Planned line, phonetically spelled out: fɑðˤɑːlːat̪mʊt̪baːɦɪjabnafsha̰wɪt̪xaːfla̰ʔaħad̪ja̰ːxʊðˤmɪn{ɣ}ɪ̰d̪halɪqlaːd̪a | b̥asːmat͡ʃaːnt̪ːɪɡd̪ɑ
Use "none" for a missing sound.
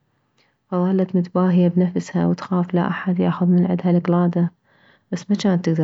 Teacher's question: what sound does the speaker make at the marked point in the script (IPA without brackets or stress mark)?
ʕ